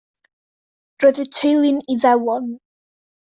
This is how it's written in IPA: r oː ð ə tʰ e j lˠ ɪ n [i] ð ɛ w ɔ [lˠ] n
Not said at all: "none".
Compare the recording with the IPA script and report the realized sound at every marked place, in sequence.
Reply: i, none

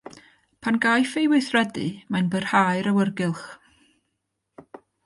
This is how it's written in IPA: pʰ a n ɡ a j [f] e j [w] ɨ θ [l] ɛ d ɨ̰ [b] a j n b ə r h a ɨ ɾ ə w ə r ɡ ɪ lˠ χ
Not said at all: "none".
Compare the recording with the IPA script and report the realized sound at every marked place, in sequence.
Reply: f, w, r, m

